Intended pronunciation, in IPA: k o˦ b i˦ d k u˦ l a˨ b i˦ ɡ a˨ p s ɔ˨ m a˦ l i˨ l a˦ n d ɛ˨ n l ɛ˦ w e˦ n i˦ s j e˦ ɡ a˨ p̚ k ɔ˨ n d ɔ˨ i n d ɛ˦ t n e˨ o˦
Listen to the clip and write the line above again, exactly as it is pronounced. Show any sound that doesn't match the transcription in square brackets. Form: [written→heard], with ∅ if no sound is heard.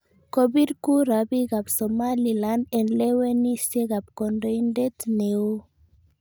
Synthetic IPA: k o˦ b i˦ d k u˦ [l→ɾ] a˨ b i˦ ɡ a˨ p s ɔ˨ m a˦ l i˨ l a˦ n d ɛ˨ n l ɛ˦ w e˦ n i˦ s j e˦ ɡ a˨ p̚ k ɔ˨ n d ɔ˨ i n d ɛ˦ t n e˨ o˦